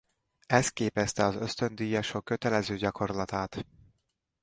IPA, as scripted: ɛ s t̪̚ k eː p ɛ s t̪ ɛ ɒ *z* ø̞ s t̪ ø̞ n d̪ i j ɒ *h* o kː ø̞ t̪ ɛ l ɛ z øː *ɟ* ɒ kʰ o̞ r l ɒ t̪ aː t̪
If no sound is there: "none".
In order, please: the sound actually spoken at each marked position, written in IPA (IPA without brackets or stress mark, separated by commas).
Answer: z, ʃ, ɟ